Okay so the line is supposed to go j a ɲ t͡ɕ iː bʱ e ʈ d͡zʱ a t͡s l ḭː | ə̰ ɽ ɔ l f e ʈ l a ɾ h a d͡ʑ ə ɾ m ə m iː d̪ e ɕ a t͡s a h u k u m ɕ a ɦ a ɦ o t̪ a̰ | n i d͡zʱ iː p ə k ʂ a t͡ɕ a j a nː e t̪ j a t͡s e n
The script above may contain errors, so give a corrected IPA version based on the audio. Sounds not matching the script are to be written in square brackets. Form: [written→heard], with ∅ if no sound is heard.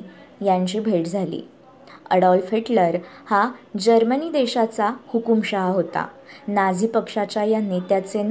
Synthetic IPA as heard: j a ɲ t͡ɕ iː bʱ e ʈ d͡zʱ a [t͡s→∅] l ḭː | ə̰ ɽ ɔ l f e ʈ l [a→ə] ɾ h a d͡ʑ ə ɾ m ə [m→n] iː d̪ e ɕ a t͡s a h u k u m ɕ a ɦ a ɦ o t̪ a̰ | n [i→a] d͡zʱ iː p ə k ʂ a t͡ɕ a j a nː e t̪ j a t͡s e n